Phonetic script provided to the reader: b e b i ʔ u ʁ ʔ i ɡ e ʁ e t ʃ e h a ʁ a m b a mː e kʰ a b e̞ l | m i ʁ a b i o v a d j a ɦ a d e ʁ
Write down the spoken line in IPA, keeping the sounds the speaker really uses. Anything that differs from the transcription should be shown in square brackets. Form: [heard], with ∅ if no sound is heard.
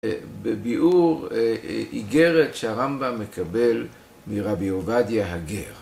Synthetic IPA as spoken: b e b i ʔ u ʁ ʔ i ɡ e ʁ e t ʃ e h a ʁ a m b a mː e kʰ a b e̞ l | m i ʁ a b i o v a d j a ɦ a [ɡ] e ʁ